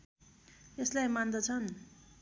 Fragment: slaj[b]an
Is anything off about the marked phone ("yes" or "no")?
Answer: yes